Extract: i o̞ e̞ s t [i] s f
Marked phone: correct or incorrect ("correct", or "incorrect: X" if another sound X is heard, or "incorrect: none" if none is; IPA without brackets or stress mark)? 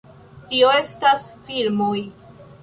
incorrect: a